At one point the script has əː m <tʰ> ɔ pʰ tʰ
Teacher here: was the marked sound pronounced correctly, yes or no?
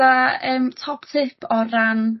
yes